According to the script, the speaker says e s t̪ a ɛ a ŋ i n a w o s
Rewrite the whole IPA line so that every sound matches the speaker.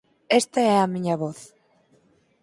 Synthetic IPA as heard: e s t̪ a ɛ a m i ɲ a β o θ